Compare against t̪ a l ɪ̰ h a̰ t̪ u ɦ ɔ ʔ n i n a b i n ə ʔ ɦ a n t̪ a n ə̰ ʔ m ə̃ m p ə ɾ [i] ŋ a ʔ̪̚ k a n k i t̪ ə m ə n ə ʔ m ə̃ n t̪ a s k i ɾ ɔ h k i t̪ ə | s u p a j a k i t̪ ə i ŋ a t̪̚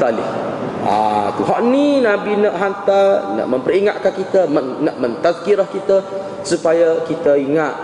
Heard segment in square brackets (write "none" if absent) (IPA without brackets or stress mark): i